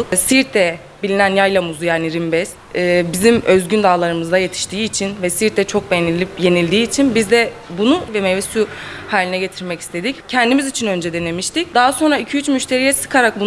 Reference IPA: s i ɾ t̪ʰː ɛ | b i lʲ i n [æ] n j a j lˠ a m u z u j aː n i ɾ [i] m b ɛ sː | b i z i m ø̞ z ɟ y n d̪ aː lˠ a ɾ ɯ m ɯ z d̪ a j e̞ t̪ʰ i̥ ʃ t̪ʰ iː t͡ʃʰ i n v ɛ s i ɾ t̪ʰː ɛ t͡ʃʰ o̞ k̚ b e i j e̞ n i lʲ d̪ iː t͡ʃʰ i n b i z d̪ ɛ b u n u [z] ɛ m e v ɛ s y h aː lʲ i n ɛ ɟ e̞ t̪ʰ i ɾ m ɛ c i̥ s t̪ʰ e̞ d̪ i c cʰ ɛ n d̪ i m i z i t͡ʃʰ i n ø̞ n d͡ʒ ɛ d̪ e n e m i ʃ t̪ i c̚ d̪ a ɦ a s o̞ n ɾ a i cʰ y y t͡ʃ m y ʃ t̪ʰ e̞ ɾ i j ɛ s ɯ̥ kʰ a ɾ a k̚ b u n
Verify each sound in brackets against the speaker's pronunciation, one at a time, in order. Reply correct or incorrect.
correct, correct, incorrect

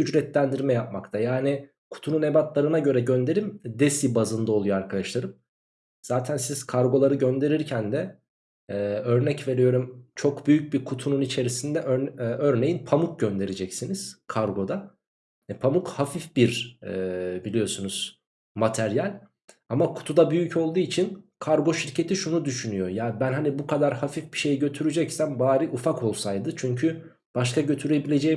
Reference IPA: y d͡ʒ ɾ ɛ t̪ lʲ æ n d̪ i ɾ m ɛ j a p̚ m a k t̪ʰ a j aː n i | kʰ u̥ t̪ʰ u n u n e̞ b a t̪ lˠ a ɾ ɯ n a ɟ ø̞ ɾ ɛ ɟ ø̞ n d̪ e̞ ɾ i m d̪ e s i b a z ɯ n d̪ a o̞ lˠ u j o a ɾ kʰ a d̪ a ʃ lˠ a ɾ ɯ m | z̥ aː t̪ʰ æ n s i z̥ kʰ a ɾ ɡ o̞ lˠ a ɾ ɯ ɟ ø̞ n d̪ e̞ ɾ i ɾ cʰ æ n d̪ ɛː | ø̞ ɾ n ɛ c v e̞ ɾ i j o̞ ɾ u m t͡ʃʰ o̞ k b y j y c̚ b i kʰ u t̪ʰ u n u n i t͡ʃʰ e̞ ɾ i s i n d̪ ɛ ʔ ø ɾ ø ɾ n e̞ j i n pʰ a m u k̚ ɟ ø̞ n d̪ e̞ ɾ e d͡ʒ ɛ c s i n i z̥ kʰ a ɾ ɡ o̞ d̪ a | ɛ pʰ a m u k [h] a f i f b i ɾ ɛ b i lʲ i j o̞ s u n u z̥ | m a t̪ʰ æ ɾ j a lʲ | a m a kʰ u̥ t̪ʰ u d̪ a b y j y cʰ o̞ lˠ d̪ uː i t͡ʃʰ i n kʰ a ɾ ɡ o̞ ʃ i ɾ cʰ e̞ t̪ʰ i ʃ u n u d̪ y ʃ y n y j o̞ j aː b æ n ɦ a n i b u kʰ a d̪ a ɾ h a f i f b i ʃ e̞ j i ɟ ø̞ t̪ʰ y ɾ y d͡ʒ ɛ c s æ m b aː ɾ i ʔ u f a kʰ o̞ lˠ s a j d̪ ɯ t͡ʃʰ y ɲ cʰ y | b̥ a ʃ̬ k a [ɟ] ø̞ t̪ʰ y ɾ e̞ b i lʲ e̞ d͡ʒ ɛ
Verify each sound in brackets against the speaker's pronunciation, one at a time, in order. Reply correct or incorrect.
correct, correct

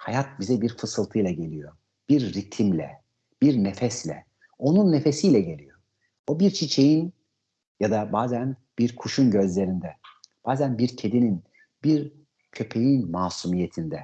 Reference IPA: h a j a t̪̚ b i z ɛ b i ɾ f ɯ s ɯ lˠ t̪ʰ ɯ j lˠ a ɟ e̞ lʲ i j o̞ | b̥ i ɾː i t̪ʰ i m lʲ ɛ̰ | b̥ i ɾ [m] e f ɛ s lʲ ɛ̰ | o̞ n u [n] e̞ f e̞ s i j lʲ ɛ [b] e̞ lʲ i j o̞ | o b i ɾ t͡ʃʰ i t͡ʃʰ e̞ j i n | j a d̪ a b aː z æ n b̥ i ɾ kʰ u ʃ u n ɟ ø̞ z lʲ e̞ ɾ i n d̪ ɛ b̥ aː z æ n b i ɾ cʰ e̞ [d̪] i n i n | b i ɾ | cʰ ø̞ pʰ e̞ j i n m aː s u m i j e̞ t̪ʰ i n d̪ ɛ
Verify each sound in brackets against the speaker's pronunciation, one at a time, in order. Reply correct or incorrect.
incorrect, incorrect, incorrect, correct

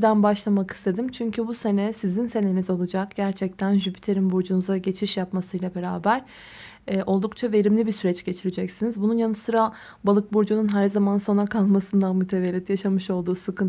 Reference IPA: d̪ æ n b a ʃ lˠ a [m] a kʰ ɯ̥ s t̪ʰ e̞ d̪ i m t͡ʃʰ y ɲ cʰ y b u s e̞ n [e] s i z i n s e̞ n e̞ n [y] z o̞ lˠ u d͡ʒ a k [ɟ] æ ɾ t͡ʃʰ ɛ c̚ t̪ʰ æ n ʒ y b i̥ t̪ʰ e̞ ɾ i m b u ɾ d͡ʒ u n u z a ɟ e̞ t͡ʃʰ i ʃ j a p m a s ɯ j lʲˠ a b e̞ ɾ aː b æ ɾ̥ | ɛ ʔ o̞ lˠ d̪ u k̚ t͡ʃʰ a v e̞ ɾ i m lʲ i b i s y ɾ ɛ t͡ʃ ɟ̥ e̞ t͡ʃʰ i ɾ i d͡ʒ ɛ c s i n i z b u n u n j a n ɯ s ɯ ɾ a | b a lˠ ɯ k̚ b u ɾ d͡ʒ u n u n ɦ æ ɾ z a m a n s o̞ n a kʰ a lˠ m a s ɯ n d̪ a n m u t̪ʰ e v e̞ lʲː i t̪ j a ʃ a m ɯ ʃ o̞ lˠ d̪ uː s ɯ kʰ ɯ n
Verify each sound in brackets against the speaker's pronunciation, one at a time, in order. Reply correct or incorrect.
correct, incorrect, incorrect, correct

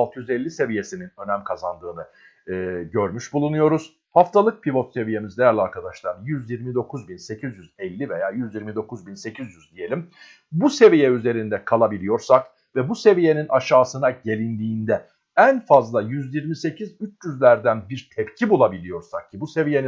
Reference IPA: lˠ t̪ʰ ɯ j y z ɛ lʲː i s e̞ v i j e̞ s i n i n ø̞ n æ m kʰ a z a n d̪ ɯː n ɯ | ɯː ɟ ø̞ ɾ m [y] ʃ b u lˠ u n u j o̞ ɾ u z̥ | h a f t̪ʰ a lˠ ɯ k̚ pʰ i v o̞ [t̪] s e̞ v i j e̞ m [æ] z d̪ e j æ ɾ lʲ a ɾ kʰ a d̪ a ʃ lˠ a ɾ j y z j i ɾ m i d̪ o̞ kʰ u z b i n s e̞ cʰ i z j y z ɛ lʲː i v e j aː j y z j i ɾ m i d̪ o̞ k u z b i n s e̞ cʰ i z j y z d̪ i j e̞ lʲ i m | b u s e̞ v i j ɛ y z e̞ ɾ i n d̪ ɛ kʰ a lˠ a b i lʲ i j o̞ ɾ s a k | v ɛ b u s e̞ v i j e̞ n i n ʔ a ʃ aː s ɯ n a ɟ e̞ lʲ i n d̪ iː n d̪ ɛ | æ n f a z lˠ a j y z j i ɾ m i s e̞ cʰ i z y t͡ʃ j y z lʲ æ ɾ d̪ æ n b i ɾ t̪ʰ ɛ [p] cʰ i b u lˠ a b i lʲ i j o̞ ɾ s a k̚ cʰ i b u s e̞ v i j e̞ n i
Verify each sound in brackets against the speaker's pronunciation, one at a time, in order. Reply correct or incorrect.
correct, correct, incorrect, correct

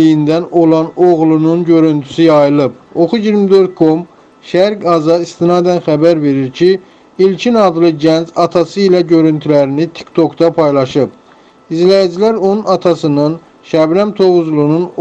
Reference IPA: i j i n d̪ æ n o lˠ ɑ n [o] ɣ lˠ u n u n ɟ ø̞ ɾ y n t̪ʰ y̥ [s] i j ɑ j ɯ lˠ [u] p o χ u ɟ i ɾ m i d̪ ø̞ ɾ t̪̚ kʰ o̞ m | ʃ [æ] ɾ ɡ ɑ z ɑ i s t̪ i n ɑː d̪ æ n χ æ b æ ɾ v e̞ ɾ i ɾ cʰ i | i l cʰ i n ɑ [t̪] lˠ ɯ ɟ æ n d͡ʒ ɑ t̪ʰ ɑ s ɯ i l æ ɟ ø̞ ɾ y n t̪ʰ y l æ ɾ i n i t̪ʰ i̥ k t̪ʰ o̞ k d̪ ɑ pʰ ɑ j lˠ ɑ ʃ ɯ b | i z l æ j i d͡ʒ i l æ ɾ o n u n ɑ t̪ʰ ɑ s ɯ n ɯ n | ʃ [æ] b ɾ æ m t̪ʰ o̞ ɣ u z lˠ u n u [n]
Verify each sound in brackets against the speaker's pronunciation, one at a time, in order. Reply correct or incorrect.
correct, correct, incorrect, correct, incorrect, correct, correct

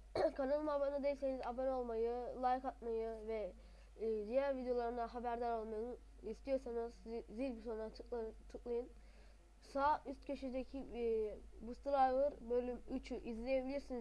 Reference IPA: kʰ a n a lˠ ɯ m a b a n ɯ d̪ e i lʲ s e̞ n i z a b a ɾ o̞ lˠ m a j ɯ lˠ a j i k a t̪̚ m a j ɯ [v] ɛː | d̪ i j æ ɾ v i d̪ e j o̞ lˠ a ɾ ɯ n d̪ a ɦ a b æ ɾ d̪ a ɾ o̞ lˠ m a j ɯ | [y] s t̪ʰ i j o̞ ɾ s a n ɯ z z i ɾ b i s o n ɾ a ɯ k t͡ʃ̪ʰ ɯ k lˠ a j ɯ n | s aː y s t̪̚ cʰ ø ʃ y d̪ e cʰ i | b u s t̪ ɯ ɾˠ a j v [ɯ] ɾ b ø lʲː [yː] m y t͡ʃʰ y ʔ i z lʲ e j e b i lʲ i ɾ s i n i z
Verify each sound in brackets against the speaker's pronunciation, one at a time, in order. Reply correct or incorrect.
correct, incorrect, correct, incorrect

